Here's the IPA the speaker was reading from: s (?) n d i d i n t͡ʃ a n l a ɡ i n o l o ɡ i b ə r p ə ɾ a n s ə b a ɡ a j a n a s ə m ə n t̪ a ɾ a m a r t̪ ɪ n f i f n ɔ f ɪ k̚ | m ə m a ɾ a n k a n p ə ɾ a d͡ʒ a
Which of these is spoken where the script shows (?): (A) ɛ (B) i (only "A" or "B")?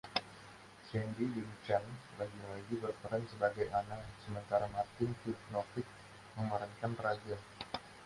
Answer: A